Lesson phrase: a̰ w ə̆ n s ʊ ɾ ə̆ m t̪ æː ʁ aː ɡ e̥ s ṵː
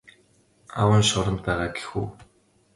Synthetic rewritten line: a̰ w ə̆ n ʃ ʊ ɾ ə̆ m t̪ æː ʁ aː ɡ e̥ x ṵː